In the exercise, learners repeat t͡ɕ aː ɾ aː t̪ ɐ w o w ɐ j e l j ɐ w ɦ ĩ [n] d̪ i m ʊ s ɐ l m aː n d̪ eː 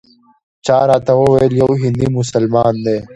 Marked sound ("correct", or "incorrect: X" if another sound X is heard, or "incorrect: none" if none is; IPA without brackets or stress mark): correct